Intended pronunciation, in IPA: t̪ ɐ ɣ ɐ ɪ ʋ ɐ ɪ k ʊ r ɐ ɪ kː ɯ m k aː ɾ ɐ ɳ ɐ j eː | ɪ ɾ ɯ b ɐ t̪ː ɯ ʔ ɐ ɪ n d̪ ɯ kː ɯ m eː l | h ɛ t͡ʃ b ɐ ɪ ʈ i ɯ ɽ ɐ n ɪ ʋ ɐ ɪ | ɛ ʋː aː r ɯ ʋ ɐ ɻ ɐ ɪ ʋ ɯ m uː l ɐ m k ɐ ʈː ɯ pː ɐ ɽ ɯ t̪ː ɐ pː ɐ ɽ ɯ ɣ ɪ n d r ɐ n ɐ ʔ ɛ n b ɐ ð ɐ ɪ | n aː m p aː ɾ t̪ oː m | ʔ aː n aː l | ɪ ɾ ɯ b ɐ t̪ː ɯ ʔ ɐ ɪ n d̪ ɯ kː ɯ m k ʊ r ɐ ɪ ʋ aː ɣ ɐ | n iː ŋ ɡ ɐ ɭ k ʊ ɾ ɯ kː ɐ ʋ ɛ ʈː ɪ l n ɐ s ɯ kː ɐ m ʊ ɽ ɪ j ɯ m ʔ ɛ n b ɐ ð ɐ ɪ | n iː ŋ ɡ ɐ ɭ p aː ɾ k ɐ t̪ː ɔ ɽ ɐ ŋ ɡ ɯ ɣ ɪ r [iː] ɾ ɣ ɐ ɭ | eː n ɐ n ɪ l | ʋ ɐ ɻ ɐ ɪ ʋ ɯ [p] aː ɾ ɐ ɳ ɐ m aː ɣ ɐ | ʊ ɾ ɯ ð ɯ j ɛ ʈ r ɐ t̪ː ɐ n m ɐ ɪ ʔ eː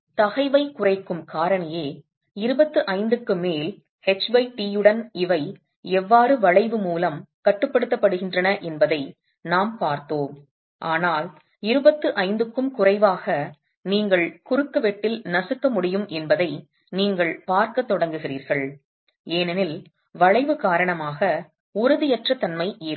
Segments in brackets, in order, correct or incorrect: correct, incorrect: k

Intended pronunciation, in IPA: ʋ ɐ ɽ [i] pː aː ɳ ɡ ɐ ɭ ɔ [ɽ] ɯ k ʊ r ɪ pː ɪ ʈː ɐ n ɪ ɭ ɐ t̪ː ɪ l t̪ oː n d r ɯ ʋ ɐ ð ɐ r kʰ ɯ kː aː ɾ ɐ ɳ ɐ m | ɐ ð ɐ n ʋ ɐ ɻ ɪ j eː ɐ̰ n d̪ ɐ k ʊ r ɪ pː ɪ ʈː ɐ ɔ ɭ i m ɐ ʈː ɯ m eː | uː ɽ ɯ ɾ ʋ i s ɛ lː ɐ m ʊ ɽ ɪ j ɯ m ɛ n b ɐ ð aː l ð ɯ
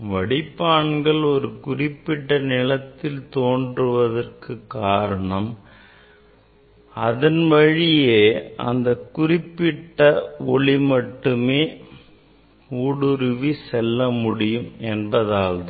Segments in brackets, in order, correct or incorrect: incorrect: ɪ, incorrect: ɾ

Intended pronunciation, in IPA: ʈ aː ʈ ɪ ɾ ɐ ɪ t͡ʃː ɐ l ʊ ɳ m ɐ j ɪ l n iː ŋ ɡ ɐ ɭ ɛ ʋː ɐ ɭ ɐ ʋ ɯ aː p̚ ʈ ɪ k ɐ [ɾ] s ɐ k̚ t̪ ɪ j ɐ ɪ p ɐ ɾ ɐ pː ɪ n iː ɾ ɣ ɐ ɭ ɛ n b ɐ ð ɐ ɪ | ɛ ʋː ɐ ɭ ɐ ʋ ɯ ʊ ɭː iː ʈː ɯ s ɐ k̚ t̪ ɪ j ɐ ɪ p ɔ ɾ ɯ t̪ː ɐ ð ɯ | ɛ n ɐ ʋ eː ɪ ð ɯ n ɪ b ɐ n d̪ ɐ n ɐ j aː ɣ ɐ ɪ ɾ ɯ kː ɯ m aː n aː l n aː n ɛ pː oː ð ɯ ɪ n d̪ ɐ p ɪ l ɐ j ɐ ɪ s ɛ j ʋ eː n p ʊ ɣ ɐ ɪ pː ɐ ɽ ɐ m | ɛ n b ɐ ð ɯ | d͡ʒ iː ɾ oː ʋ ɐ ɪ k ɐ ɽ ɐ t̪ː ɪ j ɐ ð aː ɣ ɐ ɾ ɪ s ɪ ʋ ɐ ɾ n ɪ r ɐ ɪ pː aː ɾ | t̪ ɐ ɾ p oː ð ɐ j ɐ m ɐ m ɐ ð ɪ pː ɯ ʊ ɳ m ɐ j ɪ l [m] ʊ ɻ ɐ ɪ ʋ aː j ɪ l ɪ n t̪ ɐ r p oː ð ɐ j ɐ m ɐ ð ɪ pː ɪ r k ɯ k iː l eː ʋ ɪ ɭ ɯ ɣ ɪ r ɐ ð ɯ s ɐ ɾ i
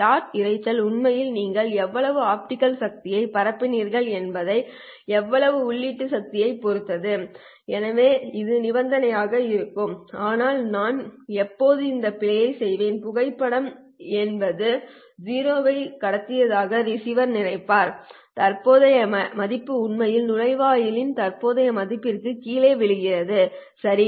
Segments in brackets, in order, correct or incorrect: incorrect: l, incorrect: n

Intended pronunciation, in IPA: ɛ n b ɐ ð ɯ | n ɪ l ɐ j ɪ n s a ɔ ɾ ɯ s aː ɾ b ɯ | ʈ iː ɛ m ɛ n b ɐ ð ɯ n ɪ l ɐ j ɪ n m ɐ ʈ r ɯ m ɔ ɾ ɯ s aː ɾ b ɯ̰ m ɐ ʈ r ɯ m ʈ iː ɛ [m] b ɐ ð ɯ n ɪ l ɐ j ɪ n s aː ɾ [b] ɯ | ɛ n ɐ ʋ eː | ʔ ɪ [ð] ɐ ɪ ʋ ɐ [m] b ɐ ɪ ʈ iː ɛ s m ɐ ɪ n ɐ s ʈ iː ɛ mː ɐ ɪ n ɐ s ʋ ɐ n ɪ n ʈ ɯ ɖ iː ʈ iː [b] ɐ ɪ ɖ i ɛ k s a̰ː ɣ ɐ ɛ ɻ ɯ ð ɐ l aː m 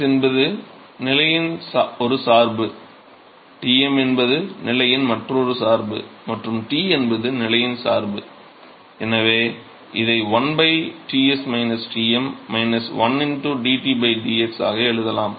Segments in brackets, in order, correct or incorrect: incorrect: n, correct, correct, incorrect: n, correct

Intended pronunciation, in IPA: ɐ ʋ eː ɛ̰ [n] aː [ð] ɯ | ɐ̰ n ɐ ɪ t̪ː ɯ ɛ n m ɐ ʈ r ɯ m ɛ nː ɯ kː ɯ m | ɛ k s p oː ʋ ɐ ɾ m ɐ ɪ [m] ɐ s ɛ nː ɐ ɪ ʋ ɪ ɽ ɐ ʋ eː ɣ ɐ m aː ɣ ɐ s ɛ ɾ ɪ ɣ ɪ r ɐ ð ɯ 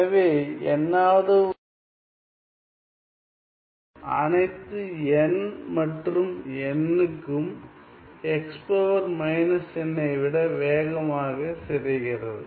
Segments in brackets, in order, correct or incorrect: incorrect: nː, correct, incorrect: n

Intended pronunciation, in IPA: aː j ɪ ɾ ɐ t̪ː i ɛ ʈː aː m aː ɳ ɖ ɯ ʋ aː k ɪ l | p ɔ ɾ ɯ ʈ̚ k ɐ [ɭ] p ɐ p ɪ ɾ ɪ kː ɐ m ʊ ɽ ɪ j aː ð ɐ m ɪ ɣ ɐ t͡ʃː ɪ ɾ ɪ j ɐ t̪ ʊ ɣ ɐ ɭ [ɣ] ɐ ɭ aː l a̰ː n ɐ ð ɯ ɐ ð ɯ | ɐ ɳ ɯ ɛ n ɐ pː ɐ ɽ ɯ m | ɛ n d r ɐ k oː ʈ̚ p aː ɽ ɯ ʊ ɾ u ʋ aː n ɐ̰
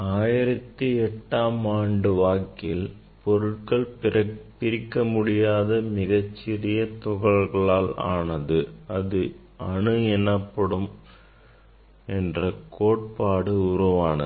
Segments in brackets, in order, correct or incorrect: correct, correct

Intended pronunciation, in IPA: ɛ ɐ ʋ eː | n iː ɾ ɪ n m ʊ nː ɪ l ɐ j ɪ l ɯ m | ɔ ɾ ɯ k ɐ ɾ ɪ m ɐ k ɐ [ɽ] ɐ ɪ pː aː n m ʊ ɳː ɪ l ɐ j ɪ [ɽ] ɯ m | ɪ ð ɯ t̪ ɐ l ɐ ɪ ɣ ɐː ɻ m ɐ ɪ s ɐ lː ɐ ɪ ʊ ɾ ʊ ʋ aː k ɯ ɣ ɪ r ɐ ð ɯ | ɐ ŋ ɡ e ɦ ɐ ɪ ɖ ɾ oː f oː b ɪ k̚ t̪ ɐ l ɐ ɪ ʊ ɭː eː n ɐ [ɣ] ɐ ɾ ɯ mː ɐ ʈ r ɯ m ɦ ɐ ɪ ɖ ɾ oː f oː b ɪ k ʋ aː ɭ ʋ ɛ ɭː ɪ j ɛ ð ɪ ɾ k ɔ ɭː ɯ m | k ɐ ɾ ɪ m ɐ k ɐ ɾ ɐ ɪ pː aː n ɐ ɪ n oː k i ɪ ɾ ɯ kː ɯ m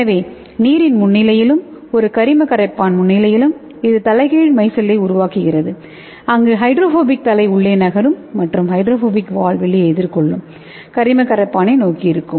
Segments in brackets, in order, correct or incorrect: incorrect: ɾ, incorrect: l, correct

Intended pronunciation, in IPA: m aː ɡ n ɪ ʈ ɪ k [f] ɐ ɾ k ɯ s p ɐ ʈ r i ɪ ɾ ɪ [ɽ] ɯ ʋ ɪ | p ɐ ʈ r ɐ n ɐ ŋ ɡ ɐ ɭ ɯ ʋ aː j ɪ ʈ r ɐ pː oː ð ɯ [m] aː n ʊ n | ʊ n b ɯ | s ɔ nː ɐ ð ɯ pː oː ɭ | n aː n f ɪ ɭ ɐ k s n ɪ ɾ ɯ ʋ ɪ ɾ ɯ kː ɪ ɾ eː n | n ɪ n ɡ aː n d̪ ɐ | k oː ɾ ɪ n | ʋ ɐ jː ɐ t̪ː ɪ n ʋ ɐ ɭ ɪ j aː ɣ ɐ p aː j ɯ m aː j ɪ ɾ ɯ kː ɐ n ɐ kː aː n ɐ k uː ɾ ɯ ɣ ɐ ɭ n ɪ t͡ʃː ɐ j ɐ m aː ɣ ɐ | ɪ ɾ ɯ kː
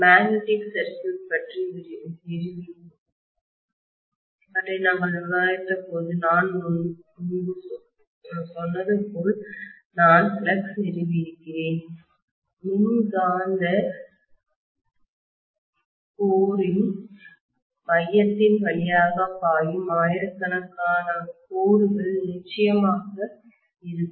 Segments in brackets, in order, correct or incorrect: incorrect: s, incorrect: ɾ, incorrect: n

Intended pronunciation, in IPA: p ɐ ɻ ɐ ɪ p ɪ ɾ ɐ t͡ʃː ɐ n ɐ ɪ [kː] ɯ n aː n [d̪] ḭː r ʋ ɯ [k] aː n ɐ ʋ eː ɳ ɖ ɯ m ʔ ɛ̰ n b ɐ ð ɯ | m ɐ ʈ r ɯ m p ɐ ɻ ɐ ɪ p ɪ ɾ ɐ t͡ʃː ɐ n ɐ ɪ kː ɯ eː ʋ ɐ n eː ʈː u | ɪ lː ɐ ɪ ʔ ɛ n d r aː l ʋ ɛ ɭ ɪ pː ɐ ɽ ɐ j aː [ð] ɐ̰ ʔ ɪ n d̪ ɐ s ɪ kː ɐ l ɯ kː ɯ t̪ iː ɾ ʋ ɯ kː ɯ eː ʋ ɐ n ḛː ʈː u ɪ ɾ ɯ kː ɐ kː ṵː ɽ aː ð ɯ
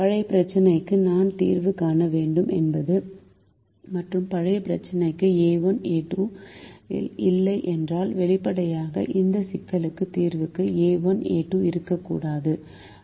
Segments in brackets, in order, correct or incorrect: correct, incorrect: t̪, correct, incorrect: ɣ

